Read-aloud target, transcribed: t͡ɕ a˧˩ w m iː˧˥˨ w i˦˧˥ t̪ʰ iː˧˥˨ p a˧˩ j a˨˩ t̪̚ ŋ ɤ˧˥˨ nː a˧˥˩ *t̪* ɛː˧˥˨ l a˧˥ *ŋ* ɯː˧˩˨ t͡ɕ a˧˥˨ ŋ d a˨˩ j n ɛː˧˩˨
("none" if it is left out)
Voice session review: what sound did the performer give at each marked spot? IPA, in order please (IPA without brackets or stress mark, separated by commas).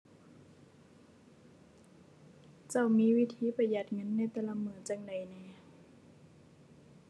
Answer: t̪, m